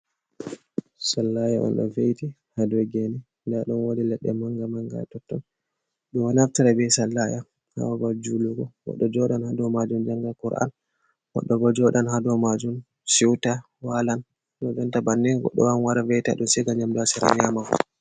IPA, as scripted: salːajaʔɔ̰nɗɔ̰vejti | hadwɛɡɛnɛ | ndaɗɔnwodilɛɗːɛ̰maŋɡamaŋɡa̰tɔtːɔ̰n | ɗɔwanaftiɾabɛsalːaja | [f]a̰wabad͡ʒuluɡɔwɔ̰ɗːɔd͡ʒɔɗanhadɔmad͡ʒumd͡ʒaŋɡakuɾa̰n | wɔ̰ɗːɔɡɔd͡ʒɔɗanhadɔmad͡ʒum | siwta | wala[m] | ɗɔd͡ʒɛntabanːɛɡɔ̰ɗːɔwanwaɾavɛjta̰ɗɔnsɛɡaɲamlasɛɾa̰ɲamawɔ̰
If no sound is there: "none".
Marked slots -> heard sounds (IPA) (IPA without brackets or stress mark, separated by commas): h, n